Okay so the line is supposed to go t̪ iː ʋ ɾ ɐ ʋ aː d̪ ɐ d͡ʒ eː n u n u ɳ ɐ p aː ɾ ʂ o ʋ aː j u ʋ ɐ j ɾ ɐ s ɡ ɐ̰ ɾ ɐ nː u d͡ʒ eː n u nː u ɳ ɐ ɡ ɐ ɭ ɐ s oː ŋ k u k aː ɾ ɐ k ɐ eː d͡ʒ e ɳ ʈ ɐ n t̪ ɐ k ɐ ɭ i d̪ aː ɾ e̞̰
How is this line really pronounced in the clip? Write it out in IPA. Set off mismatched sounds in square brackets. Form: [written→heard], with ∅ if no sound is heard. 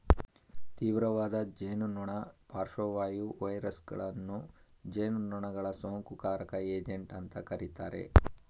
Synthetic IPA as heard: t̪ iː ʋ ɾ ɐ ʋ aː d̪ ɐ d͡ʒ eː n u n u ɳ ɐ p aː ɾ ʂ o ʋ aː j u ʋ ɐ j ɾ ɐ s ɡ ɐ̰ [ɾ→ɭ] ɐ nː u d͡ʒ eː n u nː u ɳ ɐ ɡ ɐ ɭ ɐ s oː ŋ k u k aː ɾ ɐ k ɐ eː d͡ʒ e ɳ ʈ ɐ n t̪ ɐ k ɐ [ɭ→ɾ] i [d̪→t̪] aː ɾ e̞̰